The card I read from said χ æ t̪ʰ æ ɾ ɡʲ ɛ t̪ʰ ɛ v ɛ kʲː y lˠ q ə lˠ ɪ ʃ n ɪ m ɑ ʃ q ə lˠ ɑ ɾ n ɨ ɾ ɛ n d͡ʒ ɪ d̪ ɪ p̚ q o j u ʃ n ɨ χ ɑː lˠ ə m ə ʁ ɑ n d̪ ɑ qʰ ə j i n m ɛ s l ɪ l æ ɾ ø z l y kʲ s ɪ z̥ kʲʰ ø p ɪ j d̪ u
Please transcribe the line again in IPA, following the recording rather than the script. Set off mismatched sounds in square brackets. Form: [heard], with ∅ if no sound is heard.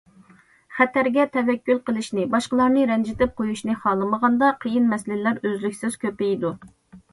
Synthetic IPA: χ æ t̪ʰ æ ɾ ɡʲ ɛ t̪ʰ ɛ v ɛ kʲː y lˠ q ə lˠ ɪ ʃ n ɪ [b] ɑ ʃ q ə lˠ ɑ ɾ n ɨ ɾ ɛ n d͡ʒ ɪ [t̪] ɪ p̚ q o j u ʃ n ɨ χ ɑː lˠ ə m ə ʁ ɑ n d̪ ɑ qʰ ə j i n m ɛ s l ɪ l æ ɾ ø z l y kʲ s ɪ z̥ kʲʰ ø p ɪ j d̪ u

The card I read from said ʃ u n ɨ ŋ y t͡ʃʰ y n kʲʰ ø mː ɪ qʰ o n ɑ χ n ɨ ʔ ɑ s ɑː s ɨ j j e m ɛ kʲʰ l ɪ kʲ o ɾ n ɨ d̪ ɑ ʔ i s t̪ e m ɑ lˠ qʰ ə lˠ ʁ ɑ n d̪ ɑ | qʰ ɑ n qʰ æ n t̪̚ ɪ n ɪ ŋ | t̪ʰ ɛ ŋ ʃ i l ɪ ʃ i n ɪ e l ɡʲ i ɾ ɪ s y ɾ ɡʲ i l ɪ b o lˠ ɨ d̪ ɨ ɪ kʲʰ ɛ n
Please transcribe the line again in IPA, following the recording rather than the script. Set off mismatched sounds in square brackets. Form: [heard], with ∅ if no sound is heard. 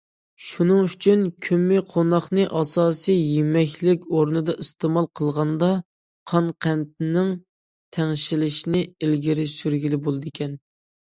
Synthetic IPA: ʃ u n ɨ ŋ y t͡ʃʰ y n kʲʰ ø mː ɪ qʰ o n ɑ χ n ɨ ʔ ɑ s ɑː s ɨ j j e m ɛ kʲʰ l ɪ kʲ o ɾ n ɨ d̪ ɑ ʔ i s t̪ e m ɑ lˠ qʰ ə lˠ ʁ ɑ n d̪ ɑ | qʰ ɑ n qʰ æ n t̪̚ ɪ n ɪ ŋ | t̪ʰ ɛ ŋ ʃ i l ɪ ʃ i n ɪ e l ɡʲ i ɾ ɪ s y ɾ ɡʲ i l ɪ b o lˠ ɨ d̪ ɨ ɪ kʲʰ ɛ n

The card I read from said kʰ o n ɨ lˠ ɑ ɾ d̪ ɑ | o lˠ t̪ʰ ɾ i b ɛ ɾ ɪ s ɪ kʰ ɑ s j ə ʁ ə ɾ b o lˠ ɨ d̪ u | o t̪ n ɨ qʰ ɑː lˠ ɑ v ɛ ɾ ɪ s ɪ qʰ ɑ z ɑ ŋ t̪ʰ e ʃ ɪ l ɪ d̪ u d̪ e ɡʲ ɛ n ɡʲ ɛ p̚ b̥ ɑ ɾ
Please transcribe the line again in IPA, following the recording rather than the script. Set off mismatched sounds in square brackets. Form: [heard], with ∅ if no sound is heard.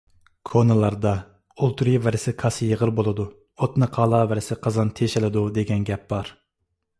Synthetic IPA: kʰ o n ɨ lˠ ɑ ɾ d̪ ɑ | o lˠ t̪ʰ ɾ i [v] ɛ ɾ ɪ s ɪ kʰ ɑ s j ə ʁ ə ɾ b o lˠ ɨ d̪ u | o t̪ n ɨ qʰ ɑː lˠ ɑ v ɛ ɾ ɪ s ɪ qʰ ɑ z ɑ [n] t̪ʰ e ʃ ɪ l ɪ d̪ u d̪ e ɡʲ ɛ n ɡʲ ɛ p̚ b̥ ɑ ɾ

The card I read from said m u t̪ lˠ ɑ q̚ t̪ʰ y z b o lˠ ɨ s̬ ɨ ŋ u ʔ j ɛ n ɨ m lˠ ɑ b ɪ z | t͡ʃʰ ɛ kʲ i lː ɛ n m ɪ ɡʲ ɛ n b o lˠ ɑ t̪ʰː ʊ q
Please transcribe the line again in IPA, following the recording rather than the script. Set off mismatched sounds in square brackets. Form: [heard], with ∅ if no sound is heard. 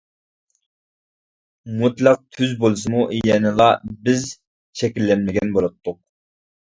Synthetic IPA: m u t̪ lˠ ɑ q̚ t̪ʰ y z b o lˠ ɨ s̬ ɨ [m] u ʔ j ɛ n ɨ [∅] lˠ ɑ b ɪ z | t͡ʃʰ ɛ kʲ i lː ɛ n m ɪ ɡʲ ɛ n b o lˠ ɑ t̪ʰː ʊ q

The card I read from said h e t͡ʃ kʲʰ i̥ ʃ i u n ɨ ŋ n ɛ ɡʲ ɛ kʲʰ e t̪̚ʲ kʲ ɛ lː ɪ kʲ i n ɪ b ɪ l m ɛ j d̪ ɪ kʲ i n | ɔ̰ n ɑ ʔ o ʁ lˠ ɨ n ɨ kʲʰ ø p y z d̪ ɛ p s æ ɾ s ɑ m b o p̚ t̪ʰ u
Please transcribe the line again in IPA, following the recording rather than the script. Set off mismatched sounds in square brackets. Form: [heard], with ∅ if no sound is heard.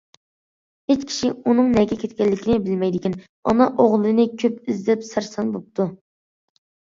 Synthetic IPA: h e t͡ʃ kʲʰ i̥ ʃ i u n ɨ ŋ n ɛ ɡʲ ɛ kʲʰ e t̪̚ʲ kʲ ɛ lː ɪ kʲ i n ɪ b ɪ l m ɛ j d̪ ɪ kʲ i n | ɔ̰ n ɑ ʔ o ʁ lˠ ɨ n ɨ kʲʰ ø p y z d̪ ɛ p s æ ɾ s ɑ [n] b o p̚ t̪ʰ u

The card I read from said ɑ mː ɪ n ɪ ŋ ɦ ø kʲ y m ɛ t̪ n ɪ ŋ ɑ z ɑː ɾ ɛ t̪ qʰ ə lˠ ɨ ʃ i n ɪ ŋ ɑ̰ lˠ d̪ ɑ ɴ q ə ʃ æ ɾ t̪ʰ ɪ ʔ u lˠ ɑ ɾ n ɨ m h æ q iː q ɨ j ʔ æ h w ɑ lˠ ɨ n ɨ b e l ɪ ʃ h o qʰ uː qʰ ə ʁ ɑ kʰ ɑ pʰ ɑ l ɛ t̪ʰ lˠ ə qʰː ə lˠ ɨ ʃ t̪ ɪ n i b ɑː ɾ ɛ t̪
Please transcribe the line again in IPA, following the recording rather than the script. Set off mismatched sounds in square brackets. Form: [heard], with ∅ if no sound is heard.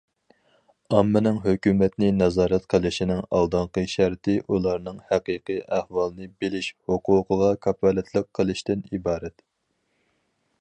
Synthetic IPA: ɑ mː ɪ n ɪ ŋ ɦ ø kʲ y m ɛ t̪ n ɪ [n] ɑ z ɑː ɾ ɛ t̪ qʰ ə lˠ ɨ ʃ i n ɪ ŋ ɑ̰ lˠ d̪ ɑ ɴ q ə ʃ æ ɾ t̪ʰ ɪ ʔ u lˠ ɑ ɾ n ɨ [ŋ] h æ q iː q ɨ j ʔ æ h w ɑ lˠ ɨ n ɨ b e l ɪ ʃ h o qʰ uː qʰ ə ʁ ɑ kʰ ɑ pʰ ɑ l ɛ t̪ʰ lˠ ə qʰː ə lˠ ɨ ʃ t̪ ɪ n i b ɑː ɾ ɛ t̪

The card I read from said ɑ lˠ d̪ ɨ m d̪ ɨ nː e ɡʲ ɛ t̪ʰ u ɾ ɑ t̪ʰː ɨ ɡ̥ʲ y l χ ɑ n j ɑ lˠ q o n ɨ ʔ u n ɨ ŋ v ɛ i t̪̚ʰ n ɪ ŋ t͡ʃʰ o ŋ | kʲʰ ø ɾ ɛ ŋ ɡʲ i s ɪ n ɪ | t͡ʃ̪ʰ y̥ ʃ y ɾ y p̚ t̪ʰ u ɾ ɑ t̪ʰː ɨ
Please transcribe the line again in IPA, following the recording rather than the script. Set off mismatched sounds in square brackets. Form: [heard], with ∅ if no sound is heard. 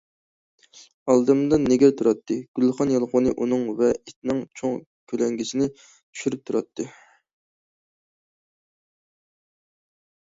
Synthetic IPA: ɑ lˠ d̪ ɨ m d̪ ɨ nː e ɡʲ ɛ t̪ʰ u ɾ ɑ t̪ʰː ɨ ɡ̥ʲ y l χ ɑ n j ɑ lˠ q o n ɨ ʔ u n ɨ ŋ v ɛ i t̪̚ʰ n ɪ ŋ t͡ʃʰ o ŋ | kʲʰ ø [l] ɛ ŋ ɡʲ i s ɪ n ɪ | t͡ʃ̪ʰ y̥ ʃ y ɾ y p̚ t̪ʰ u ɾ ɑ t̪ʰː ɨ

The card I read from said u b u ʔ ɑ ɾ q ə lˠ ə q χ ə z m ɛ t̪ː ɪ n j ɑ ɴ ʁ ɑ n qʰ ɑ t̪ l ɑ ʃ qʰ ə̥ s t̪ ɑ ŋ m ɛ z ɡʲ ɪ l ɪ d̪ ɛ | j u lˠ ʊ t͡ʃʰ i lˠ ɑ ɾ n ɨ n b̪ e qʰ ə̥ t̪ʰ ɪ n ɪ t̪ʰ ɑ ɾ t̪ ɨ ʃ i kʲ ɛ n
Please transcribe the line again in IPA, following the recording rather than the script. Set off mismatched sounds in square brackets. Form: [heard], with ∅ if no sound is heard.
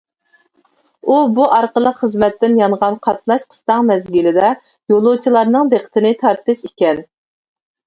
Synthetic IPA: u b u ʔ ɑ ɾ q ə lˠ ə q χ ə z m ɛ t̪ː ɪ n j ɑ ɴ ʁ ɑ n qʰ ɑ t̪ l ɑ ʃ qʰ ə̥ s t̪ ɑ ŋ m ɛ z ɡʲ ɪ l ɪ d̪ ɛ | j [o] lˠ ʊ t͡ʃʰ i lˠ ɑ ɾ n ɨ [ŋ] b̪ e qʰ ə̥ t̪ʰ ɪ n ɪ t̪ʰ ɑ ɾ t̪ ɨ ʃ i kʲ ɛ n

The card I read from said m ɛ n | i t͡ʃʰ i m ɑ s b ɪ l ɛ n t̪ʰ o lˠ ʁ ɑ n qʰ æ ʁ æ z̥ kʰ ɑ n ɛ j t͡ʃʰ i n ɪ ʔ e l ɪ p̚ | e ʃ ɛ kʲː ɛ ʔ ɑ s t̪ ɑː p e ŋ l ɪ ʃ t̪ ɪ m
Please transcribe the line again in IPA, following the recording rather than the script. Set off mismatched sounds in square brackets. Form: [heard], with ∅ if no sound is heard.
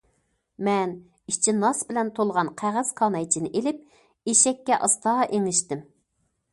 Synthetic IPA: m ɛ n | i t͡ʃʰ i [n] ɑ s b ɪ l ɛ n t̪ʰ o lˠ ʁ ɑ n qʰ æ ʁ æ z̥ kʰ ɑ n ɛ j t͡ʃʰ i n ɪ ʔ e l ɪ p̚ | e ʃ ɛ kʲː ɛ ʔ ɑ s t̪ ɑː [ʔ] e ŋ l ɪ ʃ t̪ ɪ m

